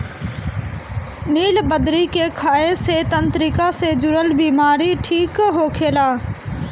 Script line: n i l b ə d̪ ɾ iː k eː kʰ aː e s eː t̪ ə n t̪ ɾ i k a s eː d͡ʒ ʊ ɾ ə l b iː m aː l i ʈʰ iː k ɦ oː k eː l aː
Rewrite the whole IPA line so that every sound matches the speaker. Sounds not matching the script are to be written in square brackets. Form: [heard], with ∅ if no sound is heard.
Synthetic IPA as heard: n [iː] l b ə d̪ ɾ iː k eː kʰ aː e s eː t̪ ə n t̪ ɾ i k a s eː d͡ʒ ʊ ɾ ə l b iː m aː [ɾ] i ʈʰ iː k ɦ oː [kʰ] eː l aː